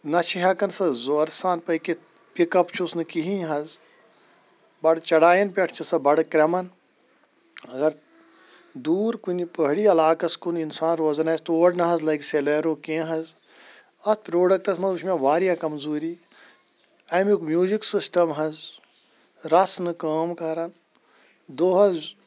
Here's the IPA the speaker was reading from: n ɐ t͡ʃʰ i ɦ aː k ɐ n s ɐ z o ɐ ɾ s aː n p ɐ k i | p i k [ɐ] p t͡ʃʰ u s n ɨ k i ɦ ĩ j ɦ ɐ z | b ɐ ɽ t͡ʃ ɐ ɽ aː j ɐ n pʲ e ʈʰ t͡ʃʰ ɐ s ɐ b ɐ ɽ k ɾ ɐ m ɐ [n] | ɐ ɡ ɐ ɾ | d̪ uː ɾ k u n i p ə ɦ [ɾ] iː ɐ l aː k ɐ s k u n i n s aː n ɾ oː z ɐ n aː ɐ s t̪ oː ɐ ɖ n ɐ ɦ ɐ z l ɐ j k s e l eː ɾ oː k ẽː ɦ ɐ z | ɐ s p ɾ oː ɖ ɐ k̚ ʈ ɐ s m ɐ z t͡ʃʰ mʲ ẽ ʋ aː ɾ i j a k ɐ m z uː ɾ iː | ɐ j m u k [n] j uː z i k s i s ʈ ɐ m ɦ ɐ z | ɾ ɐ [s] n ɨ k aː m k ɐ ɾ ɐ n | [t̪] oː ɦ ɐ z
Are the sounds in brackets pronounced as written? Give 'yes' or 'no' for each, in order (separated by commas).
yes, yes, no, no, yes, no